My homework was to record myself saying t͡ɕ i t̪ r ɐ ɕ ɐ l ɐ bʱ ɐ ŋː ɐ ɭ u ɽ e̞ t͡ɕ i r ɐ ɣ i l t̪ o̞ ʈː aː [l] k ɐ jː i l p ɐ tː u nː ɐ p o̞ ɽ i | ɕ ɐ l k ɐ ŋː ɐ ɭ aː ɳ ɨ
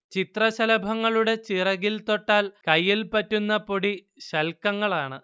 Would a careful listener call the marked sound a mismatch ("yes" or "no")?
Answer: no